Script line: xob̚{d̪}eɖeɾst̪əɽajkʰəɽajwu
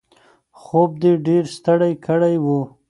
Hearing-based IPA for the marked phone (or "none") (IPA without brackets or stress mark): d̪